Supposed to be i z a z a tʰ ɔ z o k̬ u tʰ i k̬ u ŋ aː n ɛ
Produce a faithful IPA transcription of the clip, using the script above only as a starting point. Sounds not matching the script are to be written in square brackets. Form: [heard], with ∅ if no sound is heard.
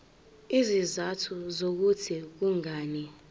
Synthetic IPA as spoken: i z [i] z a tʰ [u] z o k̬ u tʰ i k̬ u ŋ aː n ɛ

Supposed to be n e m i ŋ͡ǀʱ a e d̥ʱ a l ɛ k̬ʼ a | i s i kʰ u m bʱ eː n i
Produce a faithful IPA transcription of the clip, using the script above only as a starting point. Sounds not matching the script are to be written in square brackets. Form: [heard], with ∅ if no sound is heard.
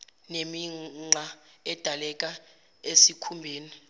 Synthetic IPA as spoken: n e m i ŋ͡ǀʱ a [ɛ] d̥ʱ a l ɛ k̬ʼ a | [e] s i kʰ u m bʱ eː n i

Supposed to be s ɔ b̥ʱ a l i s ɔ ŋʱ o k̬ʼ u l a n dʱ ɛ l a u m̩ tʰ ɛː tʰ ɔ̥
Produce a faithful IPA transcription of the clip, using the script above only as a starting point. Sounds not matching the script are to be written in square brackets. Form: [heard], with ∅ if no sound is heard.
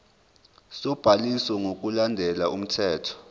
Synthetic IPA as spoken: s ɔ b̥ʱ a l i s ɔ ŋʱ o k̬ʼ u l a n dʱ ɛ l a u m̩ tʰ ɛː tʰ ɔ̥

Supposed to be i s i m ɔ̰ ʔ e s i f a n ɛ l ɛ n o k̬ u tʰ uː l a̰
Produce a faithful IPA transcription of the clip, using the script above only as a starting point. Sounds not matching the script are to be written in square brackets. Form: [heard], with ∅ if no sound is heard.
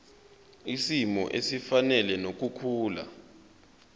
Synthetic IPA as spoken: i s i m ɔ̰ ʔ e s i f a n ɛ l ɛ n o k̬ u [kʰ] uː l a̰

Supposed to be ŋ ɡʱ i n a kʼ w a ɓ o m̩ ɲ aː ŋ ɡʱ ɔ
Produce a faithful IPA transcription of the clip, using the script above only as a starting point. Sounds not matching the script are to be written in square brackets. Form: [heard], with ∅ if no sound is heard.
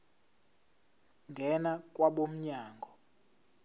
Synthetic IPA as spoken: ŋ ɡʱ [ɛ] n a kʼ w a ɓ o m̩ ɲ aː ŋ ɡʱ ɔ

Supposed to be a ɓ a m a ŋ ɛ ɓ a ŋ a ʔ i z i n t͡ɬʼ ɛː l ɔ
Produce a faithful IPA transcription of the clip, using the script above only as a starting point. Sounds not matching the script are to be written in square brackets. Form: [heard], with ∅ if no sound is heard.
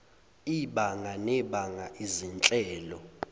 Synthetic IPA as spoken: [i] ɓ a [ŋ] a [n] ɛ ɓ a ŋ a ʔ i z i n t͡ɬʼ ɛː l ɔ

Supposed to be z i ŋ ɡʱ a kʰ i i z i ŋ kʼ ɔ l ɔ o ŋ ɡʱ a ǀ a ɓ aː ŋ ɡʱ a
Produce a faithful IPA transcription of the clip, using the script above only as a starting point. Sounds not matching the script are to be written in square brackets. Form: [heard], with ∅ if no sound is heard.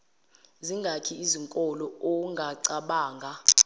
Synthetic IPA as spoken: z i ŋ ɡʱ a kʰ i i z i ŋ kʼ ɔ l ɔ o ŋ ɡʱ a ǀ a ɓ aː ŋ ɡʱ a

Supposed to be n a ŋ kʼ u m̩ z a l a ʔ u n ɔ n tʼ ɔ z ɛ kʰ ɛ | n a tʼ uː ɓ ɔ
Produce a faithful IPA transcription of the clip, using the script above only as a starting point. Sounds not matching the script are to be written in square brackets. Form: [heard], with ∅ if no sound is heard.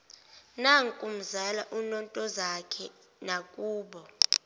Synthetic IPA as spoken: n a ŋ kʼ u m̩ z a l a ʔ u n ɔ n tʼ ɔ z [a] kʰ ɛ | n a [kʼ] uː ɓ ɔ

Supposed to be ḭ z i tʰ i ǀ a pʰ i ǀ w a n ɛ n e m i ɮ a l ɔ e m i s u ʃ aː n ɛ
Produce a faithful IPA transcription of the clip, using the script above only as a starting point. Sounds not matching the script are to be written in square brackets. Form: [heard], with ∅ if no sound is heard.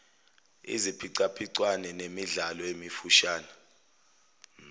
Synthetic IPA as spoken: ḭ z i [pʰ] i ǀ a pʰ i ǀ w a n ɛ n e m i ɮ a l ɔ e m i [f] u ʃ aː n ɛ

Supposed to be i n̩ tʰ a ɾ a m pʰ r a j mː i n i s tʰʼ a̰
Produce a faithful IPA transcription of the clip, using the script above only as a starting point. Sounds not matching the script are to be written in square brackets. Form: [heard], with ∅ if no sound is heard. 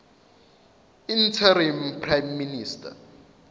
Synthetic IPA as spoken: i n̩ tʰ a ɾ [i] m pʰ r a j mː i n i s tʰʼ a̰

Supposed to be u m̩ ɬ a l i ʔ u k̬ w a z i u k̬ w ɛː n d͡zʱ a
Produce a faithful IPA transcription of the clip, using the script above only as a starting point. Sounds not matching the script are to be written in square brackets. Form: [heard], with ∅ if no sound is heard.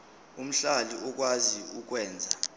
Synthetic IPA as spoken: u m̩ ɬ a l i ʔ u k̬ w a z i u k̬ w ɛː n d͡zʱ a

